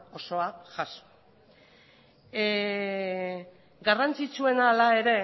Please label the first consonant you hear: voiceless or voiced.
voiceless